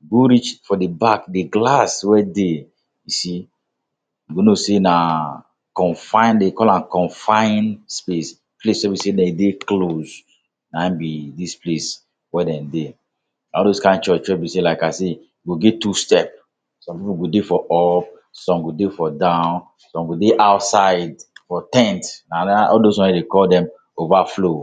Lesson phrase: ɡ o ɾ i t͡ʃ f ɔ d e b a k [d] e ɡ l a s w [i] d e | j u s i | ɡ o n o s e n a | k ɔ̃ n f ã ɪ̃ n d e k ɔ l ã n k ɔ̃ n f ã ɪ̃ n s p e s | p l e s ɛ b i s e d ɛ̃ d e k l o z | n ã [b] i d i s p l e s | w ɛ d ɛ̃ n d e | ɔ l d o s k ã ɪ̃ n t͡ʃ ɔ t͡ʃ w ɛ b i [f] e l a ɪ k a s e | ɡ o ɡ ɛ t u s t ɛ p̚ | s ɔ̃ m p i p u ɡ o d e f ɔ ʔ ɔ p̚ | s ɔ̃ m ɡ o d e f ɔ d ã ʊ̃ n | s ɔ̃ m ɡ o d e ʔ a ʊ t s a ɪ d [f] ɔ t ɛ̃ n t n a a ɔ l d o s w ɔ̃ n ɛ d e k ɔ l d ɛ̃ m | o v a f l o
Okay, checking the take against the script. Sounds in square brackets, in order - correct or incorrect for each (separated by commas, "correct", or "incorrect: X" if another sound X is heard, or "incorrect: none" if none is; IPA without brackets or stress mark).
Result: correct, incorrect: ɛ, correct, incorrect: s, correct